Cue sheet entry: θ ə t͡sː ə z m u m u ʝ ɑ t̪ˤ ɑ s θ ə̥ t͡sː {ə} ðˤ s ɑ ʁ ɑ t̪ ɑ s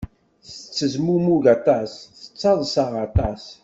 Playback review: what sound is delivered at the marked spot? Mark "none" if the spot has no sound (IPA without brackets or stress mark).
ɑ